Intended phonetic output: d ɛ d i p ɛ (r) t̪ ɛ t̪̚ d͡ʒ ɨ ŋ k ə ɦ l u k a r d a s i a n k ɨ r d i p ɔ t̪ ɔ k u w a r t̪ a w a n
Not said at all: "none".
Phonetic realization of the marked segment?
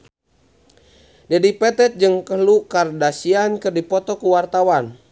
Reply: none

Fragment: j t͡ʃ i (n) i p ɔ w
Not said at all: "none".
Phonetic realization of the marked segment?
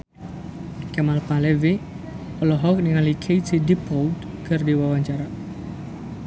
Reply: d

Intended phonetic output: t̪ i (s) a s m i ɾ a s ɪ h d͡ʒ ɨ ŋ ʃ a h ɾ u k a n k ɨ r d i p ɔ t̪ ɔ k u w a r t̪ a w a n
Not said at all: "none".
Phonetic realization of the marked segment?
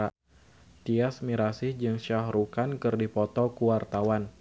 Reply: none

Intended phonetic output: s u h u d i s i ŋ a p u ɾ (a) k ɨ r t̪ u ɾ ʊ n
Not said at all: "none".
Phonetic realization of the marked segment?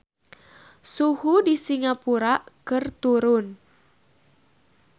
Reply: a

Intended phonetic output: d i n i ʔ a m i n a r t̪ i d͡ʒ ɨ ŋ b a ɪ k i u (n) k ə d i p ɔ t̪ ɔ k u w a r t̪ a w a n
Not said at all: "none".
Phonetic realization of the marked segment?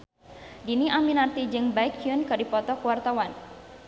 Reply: n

